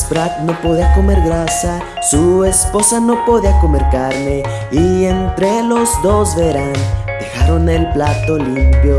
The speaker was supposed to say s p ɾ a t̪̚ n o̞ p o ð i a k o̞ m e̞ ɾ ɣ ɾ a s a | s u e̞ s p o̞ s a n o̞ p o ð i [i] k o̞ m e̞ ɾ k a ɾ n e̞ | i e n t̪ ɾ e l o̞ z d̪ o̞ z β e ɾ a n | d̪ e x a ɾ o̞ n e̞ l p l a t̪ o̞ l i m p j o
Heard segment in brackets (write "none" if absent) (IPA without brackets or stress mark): a